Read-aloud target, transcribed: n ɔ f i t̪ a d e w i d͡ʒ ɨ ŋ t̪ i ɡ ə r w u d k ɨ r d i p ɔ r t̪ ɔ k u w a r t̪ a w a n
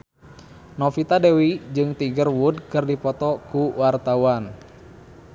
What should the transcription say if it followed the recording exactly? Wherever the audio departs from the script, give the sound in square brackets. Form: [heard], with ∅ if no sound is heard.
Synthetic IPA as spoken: n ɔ f i t̪ a d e w i d͡ʒ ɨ ŋ t̪ i ɡ ə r w u d k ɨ r d i p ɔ [∅] t̪ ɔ k u w a r t̪ a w a n